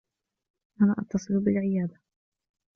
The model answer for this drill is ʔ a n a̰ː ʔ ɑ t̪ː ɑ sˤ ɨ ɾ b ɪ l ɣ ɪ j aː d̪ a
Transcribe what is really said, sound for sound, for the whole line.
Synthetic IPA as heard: ʔ a n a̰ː ʔ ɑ t̪ː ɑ sˤ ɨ l b ɪ l ʕ ɪ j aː d̪ a